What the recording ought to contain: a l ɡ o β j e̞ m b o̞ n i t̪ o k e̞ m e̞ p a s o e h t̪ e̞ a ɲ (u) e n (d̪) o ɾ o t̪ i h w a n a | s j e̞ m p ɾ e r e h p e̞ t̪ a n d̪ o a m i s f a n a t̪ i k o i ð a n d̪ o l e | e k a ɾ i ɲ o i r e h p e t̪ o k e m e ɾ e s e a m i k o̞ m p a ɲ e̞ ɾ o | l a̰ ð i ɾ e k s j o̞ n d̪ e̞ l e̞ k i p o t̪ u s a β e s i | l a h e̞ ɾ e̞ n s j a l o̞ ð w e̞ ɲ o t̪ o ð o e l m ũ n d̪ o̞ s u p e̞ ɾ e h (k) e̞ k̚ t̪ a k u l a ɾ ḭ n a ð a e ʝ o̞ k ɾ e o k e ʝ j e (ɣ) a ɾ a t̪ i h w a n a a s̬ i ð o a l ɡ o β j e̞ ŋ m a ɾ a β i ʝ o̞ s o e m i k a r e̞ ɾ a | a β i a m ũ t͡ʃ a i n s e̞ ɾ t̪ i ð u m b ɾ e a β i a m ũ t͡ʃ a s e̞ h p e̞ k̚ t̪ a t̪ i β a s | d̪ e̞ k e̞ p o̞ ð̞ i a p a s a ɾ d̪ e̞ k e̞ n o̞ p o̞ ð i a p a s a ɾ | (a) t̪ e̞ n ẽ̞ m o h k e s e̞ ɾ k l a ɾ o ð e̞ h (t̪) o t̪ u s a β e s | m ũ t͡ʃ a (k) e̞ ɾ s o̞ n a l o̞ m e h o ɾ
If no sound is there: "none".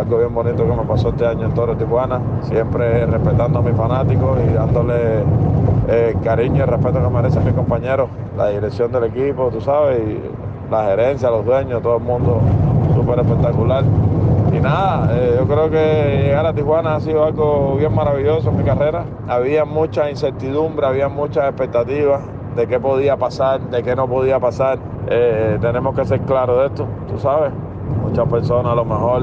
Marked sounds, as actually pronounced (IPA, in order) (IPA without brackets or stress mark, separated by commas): o, t̪, p, ɣ, e, t̪, p